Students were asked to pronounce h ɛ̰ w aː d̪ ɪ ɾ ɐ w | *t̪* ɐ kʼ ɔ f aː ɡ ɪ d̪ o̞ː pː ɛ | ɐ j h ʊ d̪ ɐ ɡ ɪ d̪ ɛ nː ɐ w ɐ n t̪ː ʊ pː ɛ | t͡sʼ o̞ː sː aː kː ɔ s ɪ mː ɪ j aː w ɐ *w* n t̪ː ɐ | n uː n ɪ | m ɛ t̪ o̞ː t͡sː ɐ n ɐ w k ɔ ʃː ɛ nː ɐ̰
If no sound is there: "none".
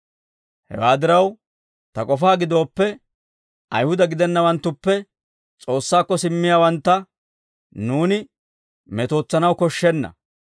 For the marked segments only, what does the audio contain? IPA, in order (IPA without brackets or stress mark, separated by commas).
t̪, none